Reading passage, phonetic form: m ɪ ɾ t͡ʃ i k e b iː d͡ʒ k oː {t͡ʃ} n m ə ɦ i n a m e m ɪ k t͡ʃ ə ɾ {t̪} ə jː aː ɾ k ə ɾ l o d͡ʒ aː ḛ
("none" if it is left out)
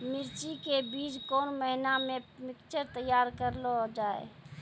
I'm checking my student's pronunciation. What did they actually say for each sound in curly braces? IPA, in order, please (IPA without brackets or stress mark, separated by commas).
none, t̪